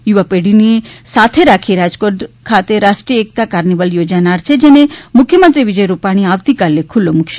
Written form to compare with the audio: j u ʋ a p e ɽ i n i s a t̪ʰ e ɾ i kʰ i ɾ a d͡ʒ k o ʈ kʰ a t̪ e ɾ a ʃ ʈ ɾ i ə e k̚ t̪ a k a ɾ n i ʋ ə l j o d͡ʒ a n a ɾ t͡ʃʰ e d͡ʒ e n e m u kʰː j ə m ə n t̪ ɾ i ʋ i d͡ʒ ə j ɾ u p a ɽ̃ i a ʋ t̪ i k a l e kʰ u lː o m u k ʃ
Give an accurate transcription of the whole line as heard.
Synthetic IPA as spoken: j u ʋ a p e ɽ i n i s a t̪ʰ e ɾ a kʰ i ɾ a d͡ʒ k o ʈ kʰ a t̪ e ɾ a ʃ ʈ ɾ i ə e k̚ t̪ a k a ɾ n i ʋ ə l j o d͡ʒ a n a ɾ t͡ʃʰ e d͡ʒ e n e m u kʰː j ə m ə n t̪ ɾ i ʋ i d͡ʒ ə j ɾ u p a ɽ̃ i a ʋ t̪ i k a l e kʰ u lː o m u k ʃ